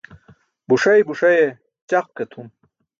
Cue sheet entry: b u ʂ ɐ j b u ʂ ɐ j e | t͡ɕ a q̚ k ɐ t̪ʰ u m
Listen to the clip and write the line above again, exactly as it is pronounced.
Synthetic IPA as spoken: b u ʂ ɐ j b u ʂ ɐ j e | t͡ɕ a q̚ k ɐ t̪ʰ u m